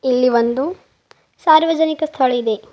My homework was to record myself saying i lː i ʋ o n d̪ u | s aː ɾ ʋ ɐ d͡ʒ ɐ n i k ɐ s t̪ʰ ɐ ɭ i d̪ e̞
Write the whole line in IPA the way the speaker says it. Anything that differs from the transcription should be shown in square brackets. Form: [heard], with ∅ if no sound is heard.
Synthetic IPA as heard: i lː i ʋ o n d̪ u | s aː ɾ ʋ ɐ d͡ʒ ɐ n i k ɐ s t̪ʰ ɐ ɭ i d̪ e̞